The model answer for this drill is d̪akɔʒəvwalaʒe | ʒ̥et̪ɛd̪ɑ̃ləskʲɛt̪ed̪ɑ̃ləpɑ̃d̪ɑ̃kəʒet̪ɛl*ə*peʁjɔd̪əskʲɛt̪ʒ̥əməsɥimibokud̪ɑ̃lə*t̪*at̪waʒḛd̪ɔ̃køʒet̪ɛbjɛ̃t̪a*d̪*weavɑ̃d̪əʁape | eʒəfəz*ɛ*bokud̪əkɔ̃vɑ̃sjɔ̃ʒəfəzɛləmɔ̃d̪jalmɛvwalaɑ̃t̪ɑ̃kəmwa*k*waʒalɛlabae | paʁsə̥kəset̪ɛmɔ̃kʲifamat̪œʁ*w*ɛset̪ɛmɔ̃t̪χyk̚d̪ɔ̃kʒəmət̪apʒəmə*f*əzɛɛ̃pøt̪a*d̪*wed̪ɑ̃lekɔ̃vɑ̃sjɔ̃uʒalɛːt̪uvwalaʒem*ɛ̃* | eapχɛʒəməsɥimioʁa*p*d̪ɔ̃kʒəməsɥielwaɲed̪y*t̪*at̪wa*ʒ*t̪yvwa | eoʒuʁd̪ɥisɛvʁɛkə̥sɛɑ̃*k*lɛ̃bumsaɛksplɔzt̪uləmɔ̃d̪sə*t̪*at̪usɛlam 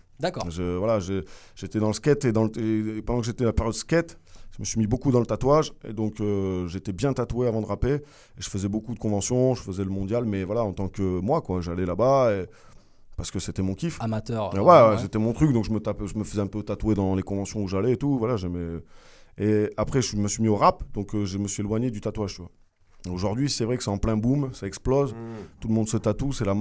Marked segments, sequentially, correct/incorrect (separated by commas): incorrect, correct, incorrect, correct, correct, correct, correct, incorrect, incorrect, correct, correct, correct, incorrect, correct